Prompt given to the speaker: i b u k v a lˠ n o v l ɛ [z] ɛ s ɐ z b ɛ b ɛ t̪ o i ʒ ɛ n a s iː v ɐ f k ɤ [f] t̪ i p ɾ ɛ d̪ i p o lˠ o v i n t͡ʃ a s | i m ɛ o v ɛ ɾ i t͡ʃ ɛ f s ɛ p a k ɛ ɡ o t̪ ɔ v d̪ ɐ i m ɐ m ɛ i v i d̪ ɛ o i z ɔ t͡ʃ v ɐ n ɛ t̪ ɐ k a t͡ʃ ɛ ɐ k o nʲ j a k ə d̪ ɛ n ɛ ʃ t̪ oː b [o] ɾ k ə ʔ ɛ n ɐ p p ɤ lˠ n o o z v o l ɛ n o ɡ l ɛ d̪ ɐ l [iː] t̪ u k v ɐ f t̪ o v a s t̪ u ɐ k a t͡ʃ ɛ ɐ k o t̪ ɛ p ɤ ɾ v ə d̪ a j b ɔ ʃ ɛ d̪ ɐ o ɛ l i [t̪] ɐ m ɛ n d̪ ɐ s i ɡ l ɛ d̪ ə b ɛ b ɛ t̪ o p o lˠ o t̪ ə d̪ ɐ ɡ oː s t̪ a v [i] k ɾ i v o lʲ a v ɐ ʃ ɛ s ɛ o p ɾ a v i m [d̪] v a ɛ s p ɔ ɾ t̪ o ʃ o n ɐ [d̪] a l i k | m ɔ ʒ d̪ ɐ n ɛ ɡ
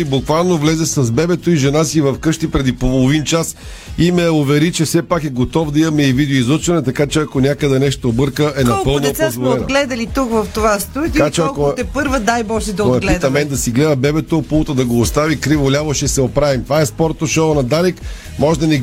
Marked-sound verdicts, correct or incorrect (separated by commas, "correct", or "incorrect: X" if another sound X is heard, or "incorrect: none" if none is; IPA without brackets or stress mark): correct, incorrect: ʃ, incorrect: ɤ, incorrect: i, correct, correct, incorrect: t̪, correct